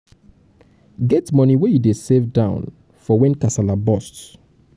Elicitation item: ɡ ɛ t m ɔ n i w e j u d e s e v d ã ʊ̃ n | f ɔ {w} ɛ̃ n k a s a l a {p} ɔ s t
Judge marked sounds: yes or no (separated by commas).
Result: yes, no